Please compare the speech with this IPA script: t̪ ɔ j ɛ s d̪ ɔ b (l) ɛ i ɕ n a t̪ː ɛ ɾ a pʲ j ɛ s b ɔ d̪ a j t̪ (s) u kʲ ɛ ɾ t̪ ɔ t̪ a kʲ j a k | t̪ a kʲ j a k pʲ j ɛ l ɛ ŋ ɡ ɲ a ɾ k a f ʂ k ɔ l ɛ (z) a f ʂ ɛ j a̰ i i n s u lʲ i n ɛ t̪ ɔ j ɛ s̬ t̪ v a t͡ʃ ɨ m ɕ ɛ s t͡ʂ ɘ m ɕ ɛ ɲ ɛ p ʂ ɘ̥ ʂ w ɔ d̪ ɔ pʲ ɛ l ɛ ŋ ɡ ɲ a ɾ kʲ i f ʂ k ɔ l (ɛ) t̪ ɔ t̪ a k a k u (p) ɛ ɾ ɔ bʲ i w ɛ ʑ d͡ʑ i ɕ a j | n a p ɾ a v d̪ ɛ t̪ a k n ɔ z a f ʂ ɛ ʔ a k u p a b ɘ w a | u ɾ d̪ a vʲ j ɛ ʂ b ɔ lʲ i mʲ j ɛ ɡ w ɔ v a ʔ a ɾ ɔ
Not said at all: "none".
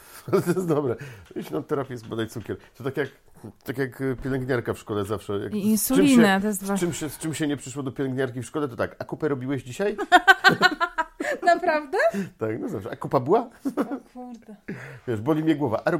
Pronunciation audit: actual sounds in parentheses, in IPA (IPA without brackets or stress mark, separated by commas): ɾ, s, z, ɛ, p